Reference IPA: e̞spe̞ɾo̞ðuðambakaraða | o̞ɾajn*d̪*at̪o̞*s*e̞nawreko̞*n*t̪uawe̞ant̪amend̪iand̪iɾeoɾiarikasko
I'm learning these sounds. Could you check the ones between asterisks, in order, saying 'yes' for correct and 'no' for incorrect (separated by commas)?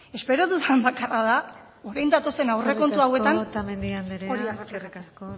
yes, yes, yes